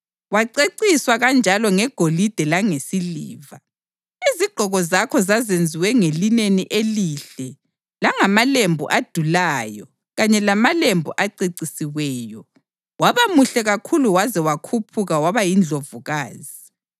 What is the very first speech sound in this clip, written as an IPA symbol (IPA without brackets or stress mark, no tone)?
w